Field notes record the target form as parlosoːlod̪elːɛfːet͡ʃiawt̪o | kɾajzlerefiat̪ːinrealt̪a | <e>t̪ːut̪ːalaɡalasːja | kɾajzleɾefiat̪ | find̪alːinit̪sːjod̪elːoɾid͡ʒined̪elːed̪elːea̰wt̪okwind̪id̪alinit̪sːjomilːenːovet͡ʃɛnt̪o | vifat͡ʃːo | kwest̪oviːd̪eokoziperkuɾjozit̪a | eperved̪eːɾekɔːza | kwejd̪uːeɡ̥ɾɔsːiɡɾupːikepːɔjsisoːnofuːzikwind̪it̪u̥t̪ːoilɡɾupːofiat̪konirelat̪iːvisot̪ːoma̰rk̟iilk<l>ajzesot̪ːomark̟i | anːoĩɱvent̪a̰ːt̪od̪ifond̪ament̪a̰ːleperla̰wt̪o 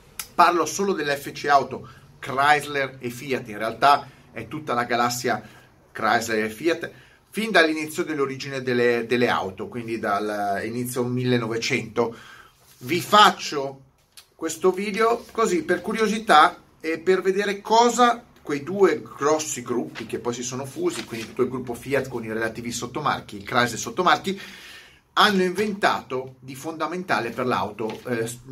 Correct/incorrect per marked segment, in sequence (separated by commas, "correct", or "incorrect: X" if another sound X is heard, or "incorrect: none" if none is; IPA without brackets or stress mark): incorrect: ɛ, incorrect: ɾ